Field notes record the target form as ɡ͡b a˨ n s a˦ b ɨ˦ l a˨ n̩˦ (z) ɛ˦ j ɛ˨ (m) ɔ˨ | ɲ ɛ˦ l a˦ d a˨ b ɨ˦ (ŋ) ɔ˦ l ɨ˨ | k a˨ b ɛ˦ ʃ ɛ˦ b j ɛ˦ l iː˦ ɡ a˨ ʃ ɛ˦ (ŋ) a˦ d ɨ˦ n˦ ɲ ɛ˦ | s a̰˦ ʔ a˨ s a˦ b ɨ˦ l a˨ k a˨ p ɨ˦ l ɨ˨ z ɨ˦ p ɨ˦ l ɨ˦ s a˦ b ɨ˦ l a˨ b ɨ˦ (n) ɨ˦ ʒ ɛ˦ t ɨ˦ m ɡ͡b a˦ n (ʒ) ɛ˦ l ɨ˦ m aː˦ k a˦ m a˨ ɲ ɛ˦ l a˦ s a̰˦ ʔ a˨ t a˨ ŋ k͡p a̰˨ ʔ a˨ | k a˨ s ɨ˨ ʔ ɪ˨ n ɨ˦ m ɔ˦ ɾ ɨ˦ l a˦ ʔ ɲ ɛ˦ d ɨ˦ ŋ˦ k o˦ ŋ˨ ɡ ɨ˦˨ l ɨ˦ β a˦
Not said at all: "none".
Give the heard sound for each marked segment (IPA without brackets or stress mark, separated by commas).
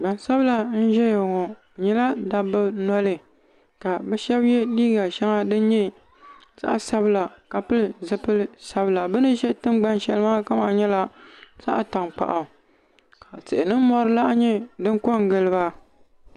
ʒ, ŋ, n, ŋ, n, ʃ